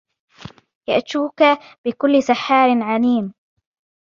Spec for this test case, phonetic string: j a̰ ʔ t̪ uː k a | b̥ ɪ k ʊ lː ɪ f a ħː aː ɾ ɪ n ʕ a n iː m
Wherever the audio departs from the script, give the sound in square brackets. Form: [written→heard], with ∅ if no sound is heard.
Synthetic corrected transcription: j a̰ ʔ t̪ uː k a | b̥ ɪ k ʊ lː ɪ [f→s] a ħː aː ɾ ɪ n ʕ a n iː m